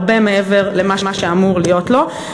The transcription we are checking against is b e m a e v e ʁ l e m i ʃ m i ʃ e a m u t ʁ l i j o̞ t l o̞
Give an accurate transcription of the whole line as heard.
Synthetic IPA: b e m e e v e ʁ l e m a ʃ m a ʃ e a m u ʁ l i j o̞ t l o̞